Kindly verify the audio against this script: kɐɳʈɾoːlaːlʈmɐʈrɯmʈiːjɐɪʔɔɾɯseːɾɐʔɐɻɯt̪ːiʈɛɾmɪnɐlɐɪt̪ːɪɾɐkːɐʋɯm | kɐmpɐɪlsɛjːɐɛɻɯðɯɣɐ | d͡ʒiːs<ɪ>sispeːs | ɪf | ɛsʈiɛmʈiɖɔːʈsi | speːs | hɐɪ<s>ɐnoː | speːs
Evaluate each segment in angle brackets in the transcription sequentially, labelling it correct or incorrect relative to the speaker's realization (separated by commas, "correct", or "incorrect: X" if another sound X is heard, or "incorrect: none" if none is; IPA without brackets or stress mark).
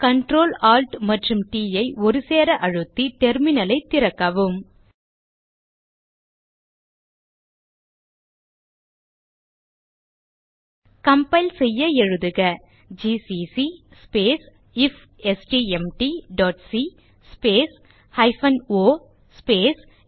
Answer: incorrect: i, incorrect: f